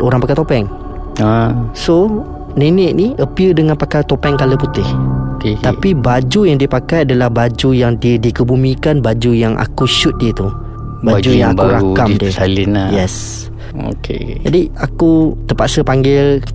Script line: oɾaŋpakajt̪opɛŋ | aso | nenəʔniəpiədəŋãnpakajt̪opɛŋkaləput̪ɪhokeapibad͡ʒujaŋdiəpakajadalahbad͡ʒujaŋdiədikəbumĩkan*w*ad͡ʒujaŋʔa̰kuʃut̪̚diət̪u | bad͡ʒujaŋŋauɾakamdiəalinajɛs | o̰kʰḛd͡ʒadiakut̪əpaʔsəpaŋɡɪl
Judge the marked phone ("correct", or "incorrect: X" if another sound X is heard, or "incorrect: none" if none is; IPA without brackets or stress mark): incorrect: b